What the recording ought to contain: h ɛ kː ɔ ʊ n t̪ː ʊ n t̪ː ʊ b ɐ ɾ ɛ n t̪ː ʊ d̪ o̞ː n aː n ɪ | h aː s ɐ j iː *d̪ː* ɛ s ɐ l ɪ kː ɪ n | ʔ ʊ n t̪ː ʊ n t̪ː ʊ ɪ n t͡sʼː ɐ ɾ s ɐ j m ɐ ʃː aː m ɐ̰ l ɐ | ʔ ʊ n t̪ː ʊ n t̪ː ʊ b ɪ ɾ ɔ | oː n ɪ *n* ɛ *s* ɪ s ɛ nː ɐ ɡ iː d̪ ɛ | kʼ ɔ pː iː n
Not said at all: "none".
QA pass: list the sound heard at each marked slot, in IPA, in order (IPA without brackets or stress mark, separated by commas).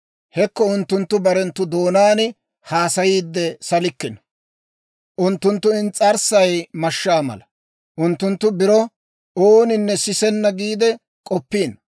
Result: d̪ː, nː, s